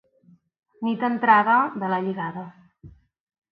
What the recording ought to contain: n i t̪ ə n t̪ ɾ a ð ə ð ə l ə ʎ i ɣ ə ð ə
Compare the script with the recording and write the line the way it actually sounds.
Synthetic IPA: n i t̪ ə n t̪ ɾ a ð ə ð ə l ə ʎ i ɣ a ð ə

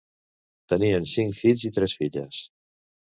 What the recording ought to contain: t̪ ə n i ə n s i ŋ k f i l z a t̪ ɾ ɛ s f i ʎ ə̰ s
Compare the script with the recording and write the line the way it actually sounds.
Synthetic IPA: t̪ ə n i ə n s i ŋ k f i ʎ z i t̪ ɾ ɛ s f i ʎ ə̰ s

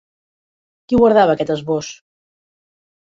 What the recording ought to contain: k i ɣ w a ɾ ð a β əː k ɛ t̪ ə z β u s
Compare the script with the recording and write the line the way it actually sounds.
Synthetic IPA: k i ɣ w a ɾ ð a β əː k ɛ t̪ ə z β o s

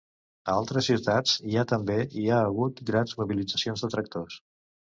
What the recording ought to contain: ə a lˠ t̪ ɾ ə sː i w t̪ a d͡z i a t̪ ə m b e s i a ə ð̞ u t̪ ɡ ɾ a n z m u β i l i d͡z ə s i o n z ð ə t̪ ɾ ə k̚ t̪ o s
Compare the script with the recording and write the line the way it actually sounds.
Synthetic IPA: ə a lˠ t̪ ɾ ə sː i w t̪ a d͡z i a t̪ ə m b e i a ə ɣ̞ u t̪ ɡ ɾ a n z m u β i l i d͡z ə s i o n z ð ə t̪ ɾ ə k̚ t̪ o s

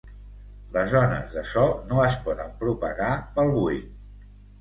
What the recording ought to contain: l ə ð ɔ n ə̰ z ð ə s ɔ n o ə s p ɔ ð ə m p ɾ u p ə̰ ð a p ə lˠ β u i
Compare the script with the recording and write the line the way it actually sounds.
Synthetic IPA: l ə z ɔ n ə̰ z ð ə s ɔ n o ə s p ɔ ð ə m p ɾ u p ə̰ ɣ a p ə lˠ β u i

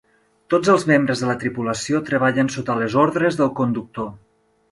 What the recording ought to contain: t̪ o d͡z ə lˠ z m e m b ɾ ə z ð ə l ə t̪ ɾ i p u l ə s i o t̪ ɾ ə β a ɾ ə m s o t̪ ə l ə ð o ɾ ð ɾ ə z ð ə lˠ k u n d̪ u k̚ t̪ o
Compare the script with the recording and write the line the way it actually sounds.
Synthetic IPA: t̪ o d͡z ə lˠ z m e m b ɾ ə z ð ə l ə t̪ ɾ i p u l ə s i o t̪ ɾ ə β a ʎ ə n s o t̪ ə l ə z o ɾ ð ɾ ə z ð ə lˠ k u n d̪ u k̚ t̪ o

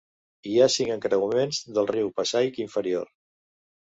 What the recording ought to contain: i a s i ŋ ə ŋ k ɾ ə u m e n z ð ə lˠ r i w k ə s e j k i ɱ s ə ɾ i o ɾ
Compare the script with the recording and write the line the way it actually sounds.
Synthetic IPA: i a s i ŋ ə ŋ k ɾ ə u m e n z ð ə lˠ r i w p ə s a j k i ɱ f ə ɾ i o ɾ

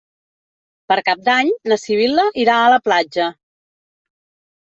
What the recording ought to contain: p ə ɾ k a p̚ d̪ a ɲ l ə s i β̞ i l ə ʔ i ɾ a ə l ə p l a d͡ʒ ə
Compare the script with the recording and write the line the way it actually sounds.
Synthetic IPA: p ə ɾ k a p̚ d̪ a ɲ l ə s i β̞ i l ə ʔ i ɾ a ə l ə p l a d͡ʒ ə

